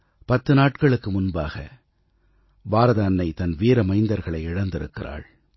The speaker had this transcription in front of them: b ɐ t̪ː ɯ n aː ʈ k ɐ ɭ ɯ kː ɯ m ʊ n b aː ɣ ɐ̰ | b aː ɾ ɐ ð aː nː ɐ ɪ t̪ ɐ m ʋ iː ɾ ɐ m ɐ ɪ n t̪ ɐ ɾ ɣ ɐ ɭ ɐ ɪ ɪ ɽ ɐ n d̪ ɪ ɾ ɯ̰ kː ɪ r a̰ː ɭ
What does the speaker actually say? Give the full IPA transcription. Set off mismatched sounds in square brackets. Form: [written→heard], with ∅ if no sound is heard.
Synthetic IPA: [b→p] ɐ t̪ː ɯ n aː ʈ k ɐ ɭ ɯ kː ɯ m ʊ n b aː ɣ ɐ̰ | b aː ɾ ɐ ð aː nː ɐ ɪ t̪ ɐ [m→n] ʋ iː ɾ ɐ m ɐ ɪ n [t̪→d̪] ɐ ɾ ɣ ɐ ɭ ɐ ɪ ɪ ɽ ɐ n d̪ ɪ ɾ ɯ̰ kː ɪ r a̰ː ɭ